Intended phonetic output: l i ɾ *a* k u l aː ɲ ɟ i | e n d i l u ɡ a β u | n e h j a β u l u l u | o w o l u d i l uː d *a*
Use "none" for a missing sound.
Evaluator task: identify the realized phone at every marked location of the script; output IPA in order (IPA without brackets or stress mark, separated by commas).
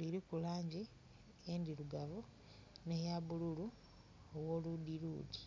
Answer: i, i